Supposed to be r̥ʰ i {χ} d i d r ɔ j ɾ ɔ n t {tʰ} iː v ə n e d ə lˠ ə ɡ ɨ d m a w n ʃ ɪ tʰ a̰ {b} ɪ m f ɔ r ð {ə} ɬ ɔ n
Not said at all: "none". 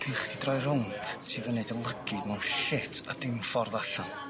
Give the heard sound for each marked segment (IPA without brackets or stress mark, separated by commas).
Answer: χ, tʰ, d, a